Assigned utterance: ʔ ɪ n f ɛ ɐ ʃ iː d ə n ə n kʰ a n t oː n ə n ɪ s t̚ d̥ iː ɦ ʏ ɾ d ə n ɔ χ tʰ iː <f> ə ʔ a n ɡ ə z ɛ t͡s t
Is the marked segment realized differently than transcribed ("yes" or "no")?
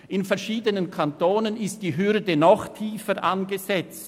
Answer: no